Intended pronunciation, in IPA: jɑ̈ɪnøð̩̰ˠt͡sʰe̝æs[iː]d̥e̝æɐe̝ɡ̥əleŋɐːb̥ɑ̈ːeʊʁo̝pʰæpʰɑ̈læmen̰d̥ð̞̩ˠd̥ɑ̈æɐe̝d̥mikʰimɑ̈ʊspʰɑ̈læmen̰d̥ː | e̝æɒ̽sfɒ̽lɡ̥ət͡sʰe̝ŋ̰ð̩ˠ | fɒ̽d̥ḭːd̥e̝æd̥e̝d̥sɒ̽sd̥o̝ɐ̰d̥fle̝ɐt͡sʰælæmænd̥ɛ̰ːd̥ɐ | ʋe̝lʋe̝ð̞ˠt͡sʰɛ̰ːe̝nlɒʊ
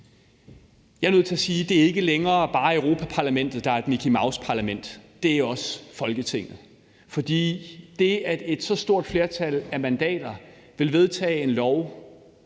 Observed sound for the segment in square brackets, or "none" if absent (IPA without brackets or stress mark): iː